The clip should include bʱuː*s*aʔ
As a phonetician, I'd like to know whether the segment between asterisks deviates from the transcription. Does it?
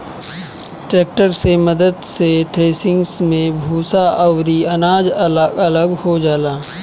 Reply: no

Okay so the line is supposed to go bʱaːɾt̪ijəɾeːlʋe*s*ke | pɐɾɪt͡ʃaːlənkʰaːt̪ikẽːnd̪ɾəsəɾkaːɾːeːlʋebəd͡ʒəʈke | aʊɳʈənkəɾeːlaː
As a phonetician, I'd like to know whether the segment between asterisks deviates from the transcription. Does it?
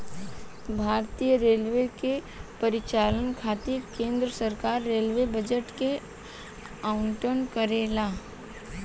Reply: yes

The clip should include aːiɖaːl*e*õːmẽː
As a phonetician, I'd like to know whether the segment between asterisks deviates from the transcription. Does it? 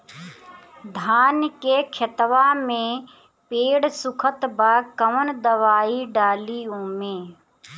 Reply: yes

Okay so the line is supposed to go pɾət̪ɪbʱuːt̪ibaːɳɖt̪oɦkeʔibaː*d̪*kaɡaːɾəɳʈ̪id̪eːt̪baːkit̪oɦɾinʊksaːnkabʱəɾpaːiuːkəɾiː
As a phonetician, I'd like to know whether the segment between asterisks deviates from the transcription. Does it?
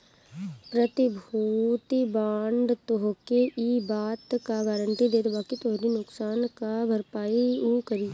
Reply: yes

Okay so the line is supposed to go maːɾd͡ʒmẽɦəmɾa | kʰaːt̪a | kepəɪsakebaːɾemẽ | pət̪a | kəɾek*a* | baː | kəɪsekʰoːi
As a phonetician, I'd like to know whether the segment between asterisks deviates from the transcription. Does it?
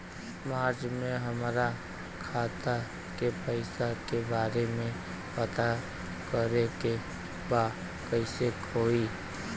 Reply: yes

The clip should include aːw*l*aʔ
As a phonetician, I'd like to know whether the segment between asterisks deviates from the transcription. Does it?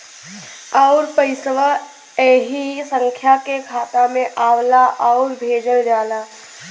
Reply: no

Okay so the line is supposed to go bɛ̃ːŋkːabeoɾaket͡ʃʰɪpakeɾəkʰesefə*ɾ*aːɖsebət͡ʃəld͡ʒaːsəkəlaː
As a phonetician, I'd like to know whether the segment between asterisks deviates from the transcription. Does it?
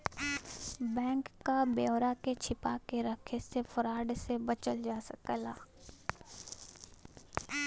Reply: no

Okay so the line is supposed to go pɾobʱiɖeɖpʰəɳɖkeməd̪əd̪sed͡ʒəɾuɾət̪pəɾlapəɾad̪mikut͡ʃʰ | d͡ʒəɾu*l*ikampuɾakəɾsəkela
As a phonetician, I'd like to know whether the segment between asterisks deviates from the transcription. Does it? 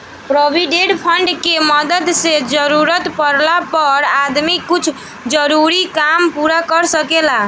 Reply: yes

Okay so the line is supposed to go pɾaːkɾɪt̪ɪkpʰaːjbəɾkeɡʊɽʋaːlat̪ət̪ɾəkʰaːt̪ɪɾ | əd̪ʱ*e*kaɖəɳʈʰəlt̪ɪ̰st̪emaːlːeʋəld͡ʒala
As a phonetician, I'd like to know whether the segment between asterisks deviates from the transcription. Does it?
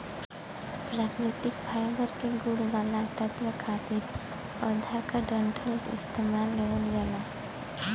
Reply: yes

